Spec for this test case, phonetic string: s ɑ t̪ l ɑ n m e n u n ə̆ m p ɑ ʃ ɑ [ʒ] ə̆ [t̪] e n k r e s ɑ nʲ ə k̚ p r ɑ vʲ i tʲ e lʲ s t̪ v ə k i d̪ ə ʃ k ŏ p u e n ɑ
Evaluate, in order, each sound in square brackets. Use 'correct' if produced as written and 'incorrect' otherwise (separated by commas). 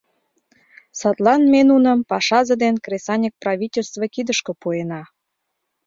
incorrect, incorrect